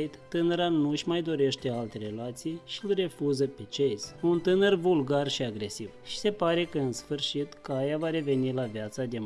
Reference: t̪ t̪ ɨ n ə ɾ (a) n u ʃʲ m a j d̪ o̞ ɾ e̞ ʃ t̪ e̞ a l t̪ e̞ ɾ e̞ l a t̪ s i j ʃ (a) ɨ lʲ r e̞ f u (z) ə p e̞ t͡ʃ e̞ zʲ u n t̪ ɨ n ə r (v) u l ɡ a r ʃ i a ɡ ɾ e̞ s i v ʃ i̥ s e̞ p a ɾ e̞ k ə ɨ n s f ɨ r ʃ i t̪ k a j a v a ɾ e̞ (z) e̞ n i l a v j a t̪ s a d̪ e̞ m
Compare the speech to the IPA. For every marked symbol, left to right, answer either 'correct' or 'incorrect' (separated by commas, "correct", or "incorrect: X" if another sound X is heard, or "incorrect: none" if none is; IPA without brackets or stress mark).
correct, incorrect: i, correct, correct, incorrect: v